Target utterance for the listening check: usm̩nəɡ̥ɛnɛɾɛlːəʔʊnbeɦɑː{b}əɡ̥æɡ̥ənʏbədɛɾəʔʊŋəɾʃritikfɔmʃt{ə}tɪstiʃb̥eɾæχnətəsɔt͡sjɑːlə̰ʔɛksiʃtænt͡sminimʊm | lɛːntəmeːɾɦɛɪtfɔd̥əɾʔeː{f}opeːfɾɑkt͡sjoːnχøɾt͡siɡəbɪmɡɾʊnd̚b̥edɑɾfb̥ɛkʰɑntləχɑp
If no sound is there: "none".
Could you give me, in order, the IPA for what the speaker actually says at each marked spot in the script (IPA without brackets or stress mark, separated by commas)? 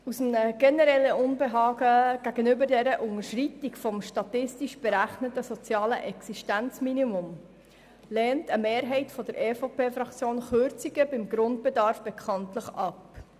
ɡ, ɑ, f